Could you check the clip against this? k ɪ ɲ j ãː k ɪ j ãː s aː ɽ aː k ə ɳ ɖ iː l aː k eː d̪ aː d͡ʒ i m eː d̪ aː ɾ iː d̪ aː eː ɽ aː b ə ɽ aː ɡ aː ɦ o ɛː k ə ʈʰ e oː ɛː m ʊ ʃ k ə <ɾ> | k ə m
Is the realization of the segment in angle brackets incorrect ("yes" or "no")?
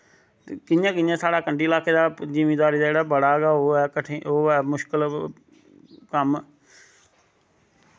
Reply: yes